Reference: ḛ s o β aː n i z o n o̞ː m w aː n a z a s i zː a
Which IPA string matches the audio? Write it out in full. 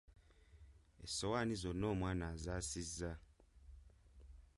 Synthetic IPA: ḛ s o w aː n i z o n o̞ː m w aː n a z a s i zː a